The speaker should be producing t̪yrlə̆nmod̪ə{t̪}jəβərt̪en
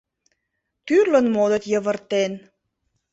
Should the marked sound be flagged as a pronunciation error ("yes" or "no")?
no